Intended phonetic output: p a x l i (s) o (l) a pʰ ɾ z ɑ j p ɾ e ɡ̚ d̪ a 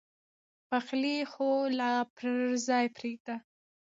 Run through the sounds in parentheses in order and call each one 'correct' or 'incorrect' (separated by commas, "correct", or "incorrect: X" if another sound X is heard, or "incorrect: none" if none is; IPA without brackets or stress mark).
incorrect: x, correct